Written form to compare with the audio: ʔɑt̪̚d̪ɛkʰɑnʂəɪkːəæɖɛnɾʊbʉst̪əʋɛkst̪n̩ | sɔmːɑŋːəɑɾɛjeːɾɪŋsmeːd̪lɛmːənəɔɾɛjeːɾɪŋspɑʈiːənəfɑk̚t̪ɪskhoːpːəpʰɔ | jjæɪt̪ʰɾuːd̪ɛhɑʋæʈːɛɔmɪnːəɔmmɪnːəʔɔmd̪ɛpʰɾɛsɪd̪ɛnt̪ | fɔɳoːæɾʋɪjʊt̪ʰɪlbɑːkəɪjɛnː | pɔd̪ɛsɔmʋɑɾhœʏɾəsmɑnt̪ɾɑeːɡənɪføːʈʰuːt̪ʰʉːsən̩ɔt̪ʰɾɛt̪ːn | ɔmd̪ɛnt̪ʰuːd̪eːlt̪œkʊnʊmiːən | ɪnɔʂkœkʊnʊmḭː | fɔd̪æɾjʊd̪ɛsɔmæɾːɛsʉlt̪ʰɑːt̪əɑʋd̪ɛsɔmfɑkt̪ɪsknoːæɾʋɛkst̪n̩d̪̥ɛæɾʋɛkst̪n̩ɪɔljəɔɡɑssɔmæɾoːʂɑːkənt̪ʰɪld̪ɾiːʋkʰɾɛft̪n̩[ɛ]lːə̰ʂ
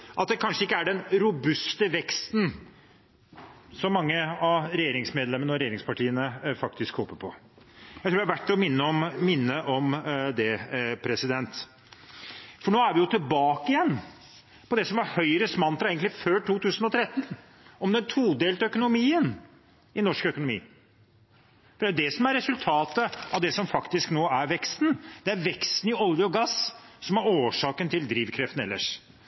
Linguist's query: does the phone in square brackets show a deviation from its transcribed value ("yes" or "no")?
no